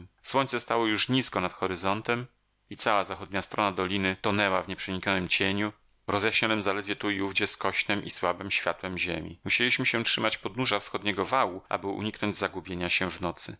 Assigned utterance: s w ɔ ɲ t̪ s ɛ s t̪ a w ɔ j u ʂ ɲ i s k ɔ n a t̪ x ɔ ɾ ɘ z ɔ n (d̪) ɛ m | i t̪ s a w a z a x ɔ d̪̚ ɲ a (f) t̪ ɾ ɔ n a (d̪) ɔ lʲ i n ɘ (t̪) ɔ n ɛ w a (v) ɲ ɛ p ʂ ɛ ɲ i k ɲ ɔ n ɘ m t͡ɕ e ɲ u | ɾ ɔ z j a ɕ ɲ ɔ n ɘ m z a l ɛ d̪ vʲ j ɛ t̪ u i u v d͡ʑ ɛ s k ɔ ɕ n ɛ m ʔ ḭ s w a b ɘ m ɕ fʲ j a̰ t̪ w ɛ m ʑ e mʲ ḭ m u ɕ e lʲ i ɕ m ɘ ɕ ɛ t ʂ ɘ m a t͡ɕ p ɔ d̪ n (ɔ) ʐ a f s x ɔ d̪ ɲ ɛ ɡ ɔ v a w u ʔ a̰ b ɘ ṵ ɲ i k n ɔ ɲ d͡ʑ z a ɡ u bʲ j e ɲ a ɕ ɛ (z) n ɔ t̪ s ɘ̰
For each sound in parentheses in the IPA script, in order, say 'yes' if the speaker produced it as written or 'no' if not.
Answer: no, no, yes, yes, yes, no, no

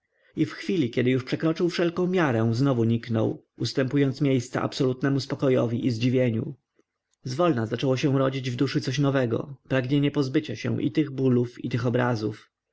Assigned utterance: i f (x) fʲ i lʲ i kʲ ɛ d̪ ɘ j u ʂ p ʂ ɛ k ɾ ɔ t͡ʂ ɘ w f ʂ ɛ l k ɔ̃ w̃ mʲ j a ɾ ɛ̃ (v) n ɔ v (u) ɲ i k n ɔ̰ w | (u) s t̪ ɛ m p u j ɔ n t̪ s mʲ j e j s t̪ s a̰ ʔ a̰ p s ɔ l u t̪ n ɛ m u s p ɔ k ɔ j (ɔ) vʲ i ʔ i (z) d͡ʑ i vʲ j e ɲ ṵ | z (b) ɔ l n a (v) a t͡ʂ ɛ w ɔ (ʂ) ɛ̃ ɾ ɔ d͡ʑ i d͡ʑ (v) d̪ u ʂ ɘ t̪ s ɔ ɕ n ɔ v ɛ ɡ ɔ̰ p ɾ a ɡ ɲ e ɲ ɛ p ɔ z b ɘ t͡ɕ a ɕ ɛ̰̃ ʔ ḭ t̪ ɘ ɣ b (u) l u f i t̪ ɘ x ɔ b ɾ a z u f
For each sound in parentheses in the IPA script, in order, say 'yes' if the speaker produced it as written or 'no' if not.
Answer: yes, no, yes, yes, yes, yes, no, no, no, yes, yes

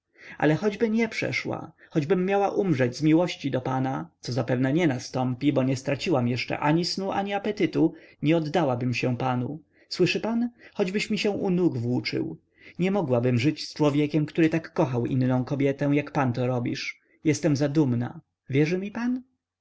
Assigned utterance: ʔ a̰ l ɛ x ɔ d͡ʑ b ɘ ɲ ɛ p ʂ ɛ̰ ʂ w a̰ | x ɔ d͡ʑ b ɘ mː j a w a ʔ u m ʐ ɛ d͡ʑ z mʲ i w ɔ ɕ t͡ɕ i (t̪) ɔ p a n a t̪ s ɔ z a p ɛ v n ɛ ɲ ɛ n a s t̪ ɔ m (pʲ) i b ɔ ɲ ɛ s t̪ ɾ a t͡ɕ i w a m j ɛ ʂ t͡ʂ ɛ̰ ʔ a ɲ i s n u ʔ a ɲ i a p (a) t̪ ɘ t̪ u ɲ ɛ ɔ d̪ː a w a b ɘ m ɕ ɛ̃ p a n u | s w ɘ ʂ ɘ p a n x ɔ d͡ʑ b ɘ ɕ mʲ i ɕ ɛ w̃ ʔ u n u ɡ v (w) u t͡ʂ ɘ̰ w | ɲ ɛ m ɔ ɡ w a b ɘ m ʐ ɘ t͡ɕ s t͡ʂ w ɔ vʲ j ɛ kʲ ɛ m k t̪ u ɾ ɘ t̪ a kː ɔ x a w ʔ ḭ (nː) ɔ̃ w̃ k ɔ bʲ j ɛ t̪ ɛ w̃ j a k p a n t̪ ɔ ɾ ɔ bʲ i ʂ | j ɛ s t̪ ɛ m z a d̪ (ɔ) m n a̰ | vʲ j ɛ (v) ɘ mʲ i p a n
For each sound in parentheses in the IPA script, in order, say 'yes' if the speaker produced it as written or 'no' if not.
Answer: no, yes, no, yes, yes, no, no

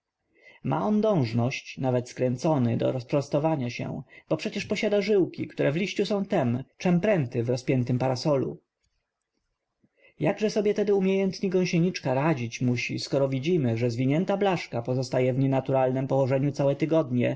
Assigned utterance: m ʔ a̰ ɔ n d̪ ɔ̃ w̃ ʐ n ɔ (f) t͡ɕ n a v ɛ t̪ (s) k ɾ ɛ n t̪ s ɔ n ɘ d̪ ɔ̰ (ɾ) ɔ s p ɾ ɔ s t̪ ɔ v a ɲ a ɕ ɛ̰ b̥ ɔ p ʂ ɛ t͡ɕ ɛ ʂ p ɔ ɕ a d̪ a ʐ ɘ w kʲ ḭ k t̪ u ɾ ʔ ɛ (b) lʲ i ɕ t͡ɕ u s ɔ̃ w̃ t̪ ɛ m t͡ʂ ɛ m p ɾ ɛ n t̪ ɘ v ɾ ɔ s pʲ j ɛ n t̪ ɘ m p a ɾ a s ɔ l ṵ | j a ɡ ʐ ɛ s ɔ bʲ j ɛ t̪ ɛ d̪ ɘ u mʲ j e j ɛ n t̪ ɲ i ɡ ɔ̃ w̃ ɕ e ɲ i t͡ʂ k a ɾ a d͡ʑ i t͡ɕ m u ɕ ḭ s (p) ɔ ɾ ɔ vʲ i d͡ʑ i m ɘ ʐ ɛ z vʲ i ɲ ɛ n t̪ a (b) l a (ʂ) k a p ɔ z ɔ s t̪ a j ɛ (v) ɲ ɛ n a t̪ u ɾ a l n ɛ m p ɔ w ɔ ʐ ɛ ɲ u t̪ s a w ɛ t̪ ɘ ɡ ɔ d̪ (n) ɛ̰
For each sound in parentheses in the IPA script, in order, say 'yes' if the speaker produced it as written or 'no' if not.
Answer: no, yes, yes, no, no, yes, yes, yes, no

